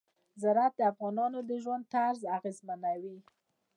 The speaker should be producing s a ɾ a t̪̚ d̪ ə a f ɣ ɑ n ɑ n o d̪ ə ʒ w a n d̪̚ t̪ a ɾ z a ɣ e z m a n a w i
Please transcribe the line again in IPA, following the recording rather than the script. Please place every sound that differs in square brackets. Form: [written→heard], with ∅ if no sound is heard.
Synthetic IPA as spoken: [s→z] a ɾ a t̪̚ d̪ ə a f ɣ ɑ n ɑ n o d̪ ə ʒ w a n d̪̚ t̪ a ɾ z a ɣ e z m a n a w i